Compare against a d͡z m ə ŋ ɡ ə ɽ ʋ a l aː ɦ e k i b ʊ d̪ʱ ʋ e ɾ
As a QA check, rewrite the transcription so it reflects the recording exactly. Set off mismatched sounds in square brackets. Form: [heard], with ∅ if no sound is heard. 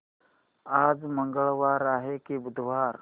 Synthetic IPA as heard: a d͡z m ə ŋ ɡ ə [ɭ] ʋ a [ɾ] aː ɦ e k i b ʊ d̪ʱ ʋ [a] ɾ